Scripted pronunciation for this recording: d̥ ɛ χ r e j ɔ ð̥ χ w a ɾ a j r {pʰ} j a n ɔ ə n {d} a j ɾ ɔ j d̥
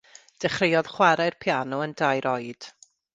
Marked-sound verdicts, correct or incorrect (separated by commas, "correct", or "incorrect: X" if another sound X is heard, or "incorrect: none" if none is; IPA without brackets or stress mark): correct, correct